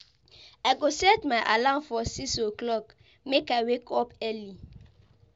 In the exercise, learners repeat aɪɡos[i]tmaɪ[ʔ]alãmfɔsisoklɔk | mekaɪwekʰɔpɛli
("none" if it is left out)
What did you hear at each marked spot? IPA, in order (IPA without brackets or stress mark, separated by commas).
ɛ, ʔ